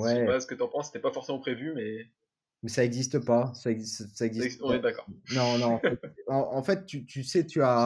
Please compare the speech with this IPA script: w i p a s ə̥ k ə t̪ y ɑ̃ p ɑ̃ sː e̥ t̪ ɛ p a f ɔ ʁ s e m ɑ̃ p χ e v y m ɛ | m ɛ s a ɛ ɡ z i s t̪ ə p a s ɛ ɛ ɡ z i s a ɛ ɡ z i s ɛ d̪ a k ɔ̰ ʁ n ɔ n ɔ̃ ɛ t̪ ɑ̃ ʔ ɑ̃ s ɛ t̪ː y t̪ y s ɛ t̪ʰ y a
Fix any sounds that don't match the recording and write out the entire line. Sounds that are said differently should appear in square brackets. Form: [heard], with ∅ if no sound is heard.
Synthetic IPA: w [ɛ] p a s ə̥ k ə t̪ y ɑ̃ p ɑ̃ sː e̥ t̪ ɛ p a f ɔ ʁ s e m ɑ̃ p χ e v y m ɛ | m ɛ s a ɛ ɡ z i s t̪ ə p a s [a] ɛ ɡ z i s a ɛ ɡ z i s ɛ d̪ a k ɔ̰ ʁ n [ɔ̃] n ɔ̃ ɛ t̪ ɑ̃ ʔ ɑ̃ [f] ɛ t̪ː y t̪ y s ɛ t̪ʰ y a